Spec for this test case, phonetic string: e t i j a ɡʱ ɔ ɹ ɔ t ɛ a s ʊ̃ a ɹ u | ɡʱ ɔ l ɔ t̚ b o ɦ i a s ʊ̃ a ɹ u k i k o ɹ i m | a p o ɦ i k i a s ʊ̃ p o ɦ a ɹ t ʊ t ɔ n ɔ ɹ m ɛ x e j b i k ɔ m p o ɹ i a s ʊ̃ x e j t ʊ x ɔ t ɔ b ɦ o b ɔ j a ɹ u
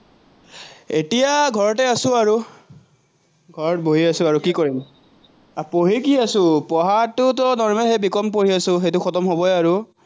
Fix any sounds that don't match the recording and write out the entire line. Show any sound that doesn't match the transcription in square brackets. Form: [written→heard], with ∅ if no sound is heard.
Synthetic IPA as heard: e t i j a ɡʱ ɔ ɹ ɔ t ɛ a s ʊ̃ a ɹ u | ɡʱ ɔ [l→ɹ] ɔ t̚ b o ɦ i a s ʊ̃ a ɹ u k i k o ɹ i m | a p o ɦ i k i a s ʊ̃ p [o→ɔ] ɦ a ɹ t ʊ t ɔ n ɔ ɹ m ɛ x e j b i k ɔ m p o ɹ i a s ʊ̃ x e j t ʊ x ɔ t ɔ [b→m] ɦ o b ɔ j a ɹ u